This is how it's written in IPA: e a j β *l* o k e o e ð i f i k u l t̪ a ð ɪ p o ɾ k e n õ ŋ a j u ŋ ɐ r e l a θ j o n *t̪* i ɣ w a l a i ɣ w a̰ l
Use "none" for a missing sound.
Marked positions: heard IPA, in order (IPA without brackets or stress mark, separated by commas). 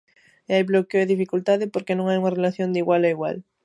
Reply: l, d̪